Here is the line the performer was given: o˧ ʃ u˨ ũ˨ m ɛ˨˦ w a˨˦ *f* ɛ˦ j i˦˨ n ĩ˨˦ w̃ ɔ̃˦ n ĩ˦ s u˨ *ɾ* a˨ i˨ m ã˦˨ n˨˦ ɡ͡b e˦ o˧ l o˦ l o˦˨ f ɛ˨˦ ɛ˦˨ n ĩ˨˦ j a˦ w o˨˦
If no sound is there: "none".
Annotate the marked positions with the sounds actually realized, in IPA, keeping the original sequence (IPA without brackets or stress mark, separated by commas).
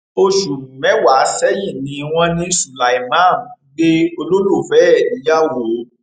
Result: s, l